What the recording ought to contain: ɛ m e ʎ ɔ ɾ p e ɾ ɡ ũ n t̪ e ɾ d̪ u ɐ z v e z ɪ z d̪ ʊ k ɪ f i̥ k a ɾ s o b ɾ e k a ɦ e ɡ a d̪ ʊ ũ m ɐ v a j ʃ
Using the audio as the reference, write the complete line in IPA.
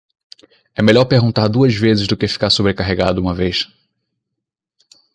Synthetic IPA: ɛ m e ʎ ɔ ɾ p e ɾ ɡ ũ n t̪ a ɾ d̪ u ɐ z v e z ɪ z d̪ ʊ k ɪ f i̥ k a ɾ s o b ɾ e k a ɦ e ɡ a d̪ ʊ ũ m ɐ v e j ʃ